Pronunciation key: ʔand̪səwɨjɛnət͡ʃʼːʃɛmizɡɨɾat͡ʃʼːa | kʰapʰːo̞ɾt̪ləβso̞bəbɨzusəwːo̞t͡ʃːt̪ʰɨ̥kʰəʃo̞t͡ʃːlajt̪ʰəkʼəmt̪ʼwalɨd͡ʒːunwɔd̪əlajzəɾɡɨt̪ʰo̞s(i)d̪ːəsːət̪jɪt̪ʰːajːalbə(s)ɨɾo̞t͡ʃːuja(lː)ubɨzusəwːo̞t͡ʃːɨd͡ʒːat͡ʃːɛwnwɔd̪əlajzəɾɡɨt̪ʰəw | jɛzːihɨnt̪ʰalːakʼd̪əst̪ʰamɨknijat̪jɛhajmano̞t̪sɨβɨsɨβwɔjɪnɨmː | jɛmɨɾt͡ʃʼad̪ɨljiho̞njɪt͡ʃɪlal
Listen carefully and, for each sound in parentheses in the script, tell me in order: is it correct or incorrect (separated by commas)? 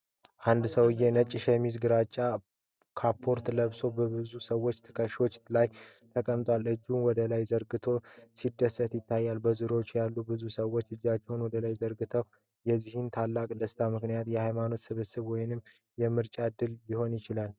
correct, incorrect, correct